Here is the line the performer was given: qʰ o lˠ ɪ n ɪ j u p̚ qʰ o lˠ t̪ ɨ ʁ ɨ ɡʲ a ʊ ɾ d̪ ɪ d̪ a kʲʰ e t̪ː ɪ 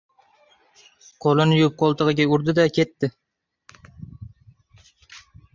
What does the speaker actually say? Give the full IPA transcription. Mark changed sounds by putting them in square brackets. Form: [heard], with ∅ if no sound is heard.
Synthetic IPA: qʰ o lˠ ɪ n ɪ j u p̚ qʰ o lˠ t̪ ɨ ʁ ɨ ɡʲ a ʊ ɾ d̪ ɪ d̪ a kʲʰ e t̪ː ɪ